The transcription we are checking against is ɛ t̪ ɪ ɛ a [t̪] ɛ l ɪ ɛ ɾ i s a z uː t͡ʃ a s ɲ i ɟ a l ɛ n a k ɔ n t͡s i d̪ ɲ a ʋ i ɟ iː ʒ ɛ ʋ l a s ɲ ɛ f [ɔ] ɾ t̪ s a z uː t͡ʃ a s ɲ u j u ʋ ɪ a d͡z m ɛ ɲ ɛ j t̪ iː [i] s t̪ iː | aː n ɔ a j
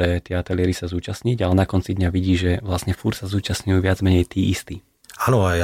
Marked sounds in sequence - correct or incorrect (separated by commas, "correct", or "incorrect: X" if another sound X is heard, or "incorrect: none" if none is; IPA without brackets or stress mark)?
correct, incorrect: u, correct